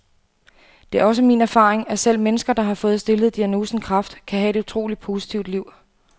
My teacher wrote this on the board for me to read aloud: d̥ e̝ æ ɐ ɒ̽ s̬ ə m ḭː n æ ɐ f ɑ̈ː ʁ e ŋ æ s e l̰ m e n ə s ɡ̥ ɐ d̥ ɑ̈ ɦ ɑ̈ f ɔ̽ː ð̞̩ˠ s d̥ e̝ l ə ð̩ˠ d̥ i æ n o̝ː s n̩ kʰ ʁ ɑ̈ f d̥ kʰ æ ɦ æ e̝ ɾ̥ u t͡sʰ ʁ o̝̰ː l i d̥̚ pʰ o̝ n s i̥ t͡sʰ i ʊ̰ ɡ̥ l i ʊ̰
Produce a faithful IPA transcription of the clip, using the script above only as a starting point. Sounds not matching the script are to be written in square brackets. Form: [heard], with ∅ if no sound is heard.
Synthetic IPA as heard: d̥ e̝ æ ɐ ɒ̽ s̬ ə m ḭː n æ ɐ f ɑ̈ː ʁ e ŋ æ s e l̰ m e n ə s ɡ̥ ɐ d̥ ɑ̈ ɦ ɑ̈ f ɔ̽ː ð̞̩ˠ s d̥ e̝ l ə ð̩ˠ d̥ i æ n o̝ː s n̩ kʰ ʁ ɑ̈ f d̥ kʰ æ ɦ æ e̝ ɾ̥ u t͡sʰ ʁ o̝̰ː l i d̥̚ pʰ o̝ [∅] s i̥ t͡sʰ i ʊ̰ [d̥] l i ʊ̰